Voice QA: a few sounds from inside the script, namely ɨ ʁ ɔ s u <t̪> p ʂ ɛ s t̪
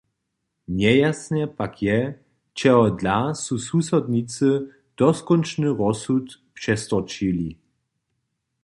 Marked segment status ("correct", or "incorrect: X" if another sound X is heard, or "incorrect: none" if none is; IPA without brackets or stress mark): correct